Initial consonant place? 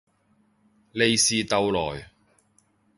alveolar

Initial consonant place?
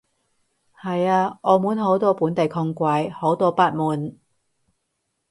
glottal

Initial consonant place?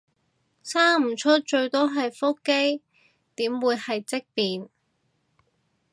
alveolar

